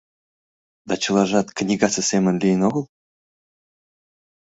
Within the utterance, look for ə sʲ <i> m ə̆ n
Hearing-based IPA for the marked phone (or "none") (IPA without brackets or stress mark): e